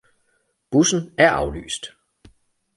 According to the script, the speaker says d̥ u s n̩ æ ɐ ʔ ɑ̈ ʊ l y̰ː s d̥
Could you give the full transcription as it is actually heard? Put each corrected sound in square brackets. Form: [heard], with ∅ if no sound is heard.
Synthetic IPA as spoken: [b̥] u s n̩ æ ɐ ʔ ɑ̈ ʊ l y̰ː s d̥